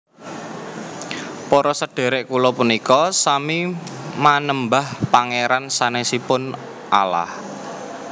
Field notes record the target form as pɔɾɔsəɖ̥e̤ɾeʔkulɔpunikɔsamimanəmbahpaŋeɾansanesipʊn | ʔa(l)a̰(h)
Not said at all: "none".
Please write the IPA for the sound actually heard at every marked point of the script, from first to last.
l, h

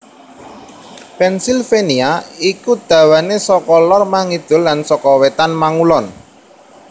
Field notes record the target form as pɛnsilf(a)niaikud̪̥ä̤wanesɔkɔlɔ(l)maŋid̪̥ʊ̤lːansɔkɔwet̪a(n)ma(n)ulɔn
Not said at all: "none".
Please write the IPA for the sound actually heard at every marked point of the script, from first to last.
e, r, n, ŋ

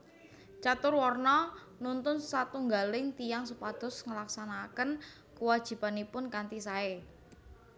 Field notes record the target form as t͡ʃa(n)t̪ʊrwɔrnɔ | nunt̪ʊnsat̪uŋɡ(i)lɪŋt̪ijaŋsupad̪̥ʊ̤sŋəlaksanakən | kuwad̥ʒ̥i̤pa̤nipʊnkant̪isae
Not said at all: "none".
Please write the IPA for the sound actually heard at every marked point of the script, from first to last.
none, a

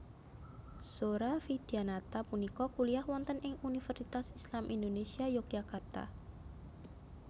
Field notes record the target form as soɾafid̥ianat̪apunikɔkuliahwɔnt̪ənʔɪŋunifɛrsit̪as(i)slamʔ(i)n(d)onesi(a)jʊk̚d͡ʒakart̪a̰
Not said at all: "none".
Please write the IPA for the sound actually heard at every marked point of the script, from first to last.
i, i, d, a

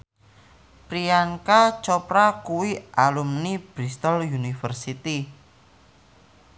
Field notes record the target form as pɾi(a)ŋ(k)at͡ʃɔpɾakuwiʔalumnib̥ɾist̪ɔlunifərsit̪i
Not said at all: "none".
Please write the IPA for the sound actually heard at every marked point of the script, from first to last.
a, k

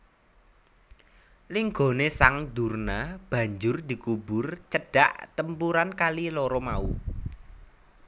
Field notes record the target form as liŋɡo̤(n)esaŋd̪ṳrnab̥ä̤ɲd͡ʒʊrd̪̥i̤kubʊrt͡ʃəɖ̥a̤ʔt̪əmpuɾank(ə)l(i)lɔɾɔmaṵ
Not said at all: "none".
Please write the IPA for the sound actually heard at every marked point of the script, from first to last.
n, a, i

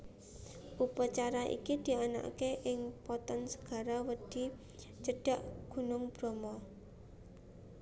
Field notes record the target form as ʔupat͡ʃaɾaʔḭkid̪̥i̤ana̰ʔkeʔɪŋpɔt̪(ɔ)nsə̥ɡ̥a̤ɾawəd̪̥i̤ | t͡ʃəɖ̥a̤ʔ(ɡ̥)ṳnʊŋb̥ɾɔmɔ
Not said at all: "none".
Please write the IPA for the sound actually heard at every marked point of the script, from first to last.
ɔ, ɡ̥

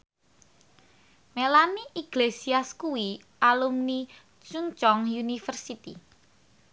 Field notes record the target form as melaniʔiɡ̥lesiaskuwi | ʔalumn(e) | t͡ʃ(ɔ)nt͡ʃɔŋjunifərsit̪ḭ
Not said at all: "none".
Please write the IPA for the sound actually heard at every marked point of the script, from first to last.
i, u

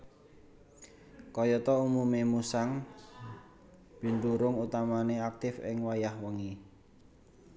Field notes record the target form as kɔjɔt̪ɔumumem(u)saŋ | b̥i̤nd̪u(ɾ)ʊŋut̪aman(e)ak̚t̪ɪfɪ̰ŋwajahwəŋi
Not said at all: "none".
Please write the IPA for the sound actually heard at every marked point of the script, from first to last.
u, ɾ, e

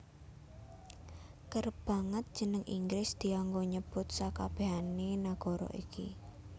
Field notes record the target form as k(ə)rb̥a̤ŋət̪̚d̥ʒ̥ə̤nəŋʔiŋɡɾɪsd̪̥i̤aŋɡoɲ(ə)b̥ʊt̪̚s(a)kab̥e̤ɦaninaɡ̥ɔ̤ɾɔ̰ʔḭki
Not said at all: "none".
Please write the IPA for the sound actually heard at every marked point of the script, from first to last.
ə, ə, a

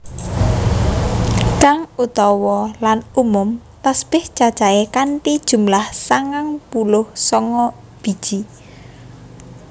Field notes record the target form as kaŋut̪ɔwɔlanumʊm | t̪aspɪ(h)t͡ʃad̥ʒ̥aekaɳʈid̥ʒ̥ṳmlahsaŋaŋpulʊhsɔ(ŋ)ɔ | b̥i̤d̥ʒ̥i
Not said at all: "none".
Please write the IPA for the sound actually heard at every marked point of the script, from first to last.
h, ŋ

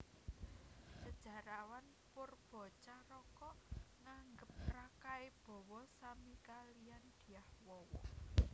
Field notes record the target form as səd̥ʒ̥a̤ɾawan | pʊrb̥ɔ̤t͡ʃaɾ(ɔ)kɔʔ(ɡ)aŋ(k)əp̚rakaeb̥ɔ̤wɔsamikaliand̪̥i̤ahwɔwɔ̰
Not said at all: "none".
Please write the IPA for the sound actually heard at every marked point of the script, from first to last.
ɔ, ŋ, ɡ

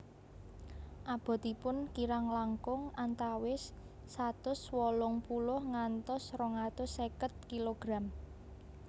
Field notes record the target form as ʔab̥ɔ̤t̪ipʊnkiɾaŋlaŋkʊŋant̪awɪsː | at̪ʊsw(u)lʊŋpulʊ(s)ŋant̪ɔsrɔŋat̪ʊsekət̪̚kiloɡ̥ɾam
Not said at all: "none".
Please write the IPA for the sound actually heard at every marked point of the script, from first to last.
ɔ, h

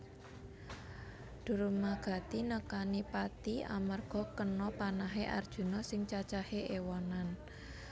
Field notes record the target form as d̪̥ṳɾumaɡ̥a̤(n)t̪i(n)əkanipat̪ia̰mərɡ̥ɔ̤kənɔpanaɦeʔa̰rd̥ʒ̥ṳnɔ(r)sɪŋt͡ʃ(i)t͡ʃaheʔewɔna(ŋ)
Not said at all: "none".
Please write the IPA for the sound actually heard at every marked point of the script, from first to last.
none, n, none, a, n

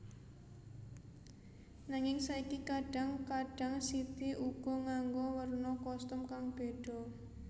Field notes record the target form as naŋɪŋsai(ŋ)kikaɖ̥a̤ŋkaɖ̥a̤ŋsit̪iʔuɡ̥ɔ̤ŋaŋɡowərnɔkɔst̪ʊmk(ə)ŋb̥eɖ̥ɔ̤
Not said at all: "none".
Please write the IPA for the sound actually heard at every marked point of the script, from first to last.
none, a

